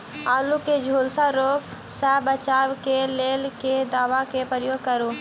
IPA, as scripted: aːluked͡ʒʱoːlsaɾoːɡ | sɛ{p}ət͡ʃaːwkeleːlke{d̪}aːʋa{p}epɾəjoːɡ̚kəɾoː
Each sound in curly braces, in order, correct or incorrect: incorrect, correct, incorrect

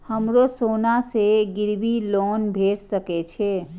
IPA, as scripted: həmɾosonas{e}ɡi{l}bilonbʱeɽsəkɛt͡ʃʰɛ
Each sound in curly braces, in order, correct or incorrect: correct, incorrect

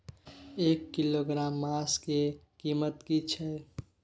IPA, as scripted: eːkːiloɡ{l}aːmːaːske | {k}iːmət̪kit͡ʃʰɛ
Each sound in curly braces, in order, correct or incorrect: incorrect, correct

